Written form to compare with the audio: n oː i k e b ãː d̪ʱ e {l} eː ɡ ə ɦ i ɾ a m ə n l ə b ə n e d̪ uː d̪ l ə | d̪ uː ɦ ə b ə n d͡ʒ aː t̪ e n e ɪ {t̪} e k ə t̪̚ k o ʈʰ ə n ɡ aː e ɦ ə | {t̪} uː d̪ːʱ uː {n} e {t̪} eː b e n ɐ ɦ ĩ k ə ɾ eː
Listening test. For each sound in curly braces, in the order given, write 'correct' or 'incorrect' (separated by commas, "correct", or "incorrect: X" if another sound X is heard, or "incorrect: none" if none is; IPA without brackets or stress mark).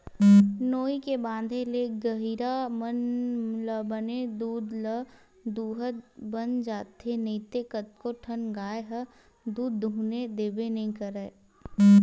correct, correct, incorrect: d̪, correct, incorrect: d̪